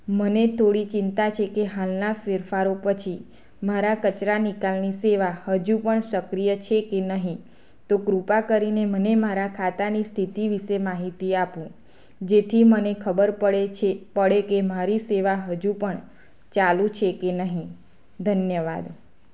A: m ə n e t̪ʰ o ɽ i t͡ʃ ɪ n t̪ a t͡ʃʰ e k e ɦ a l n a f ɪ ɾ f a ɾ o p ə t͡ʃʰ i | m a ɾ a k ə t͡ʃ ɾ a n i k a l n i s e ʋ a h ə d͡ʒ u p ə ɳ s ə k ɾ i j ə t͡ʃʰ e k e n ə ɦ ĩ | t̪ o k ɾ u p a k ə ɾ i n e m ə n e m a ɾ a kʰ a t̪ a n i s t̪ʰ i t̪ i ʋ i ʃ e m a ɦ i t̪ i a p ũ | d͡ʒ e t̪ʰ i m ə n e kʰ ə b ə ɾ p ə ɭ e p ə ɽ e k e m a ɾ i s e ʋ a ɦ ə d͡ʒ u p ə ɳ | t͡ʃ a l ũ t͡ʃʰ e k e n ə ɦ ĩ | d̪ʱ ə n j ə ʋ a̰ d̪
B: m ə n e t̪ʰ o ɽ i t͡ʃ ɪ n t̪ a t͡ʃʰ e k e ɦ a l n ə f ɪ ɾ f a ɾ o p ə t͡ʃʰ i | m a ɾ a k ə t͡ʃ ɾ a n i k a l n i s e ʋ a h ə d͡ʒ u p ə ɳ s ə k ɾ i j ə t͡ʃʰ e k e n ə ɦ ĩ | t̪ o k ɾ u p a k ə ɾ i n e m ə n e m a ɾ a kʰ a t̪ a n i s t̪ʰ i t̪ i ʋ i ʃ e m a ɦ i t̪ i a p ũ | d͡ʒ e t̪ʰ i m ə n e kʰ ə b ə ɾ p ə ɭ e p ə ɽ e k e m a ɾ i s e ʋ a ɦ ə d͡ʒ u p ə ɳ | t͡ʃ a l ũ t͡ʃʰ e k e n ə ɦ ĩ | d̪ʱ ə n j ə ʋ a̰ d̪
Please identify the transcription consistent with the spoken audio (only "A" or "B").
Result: A